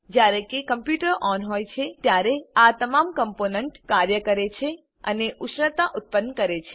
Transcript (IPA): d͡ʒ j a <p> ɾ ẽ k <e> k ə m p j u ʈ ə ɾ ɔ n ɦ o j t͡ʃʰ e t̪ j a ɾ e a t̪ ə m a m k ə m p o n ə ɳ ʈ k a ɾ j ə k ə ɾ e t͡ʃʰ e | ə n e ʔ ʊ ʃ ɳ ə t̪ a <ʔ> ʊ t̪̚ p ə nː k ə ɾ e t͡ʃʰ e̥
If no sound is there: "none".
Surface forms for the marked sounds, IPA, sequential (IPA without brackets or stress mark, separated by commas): none, e, ʔ